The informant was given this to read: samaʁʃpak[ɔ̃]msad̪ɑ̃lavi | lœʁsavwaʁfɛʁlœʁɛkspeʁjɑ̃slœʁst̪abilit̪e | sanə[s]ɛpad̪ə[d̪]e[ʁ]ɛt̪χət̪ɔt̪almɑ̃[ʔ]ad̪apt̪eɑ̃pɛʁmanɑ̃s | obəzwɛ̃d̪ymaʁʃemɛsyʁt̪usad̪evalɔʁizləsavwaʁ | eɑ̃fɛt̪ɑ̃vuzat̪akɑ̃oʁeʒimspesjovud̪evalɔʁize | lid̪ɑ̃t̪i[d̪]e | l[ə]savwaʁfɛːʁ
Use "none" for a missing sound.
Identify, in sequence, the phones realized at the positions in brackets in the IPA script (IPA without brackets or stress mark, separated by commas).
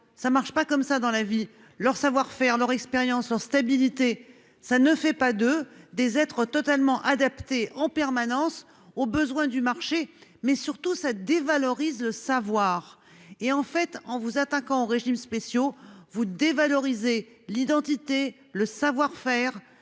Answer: ɔ, f, d̪, z, ʔ, t̪, ə